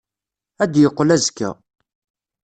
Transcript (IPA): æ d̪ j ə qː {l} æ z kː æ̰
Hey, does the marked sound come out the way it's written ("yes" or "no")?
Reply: yes